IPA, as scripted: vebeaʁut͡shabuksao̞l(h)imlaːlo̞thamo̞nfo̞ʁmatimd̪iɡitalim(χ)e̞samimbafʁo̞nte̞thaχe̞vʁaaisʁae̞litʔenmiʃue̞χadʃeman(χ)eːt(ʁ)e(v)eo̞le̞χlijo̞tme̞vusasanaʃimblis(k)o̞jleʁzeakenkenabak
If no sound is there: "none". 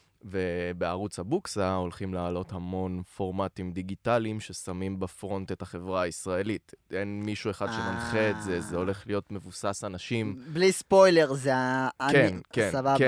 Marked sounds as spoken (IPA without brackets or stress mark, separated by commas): χ, ʃ, χ, z, z, p